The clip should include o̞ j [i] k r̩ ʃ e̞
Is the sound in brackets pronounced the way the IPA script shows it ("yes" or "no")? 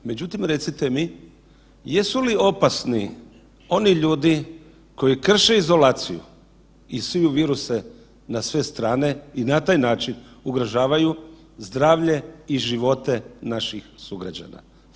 yes